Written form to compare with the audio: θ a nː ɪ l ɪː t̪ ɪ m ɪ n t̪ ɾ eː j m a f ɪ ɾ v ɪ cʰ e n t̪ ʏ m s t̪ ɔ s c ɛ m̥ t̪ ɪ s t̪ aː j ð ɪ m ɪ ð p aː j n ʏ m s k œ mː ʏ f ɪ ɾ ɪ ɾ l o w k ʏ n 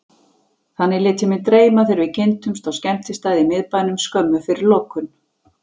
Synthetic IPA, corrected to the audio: θ a nː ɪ l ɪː t̪ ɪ m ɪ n t̪ ɾ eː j m a θ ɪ ɾ v ɪ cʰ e n t̪ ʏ m s t̪ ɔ s c ɛ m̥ t̪ ɪ s t̪ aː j ð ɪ m ɪ ð p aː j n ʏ m s k œ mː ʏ f ɪ ɾ ɪ ɾ l o w k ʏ n